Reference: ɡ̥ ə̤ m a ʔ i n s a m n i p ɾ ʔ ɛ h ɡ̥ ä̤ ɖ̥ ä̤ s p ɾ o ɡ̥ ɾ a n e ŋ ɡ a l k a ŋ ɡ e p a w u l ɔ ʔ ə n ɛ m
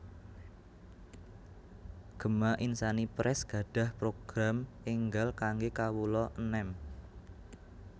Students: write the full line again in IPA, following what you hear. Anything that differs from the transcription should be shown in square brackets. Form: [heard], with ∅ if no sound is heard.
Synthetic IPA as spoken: ɡ̥ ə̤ m a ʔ i n s a [∅] n i p ɾ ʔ ɛ [s] ɡ̥ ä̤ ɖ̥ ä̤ [h] p ɾ o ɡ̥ ɾ a [m] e ŋ ɡ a l k a ŋ ɡ e [k] a w u l ɔ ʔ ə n ɛ m